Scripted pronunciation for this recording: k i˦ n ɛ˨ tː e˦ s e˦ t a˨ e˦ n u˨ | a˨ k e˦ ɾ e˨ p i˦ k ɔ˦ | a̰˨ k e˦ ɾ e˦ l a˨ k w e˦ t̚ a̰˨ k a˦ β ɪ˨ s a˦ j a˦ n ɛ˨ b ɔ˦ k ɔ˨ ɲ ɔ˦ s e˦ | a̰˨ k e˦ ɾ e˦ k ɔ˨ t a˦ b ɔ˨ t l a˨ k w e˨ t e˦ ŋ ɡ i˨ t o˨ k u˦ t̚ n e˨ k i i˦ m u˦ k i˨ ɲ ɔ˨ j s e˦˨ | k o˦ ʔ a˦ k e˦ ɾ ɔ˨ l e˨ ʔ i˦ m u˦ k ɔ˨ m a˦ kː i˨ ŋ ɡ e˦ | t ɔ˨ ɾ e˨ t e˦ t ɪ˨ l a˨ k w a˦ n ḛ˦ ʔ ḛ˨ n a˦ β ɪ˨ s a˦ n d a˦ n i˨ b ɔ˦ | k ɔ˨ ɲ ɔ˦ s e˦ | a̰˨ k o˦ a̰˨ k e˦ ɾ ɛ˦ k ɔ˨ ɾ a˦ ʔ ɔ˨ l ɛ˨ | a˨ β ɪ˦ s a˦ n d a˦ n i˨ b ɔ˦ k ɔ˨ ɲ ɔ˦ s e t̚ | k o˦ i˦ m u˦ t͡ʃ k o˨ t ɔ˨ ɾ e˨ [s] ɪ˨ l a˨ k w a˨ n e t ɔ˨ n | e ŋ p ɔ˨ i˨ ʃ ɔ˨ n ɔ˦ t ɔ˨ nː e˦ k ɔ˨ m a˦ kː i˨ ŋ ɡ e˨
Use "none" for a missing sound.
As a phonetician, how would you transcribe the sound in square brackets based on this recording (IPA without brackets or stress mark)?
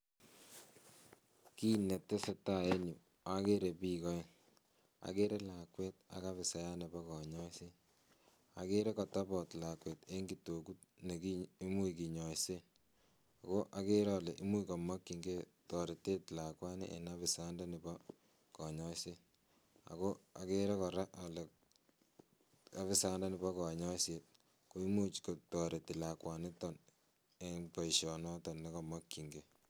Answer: t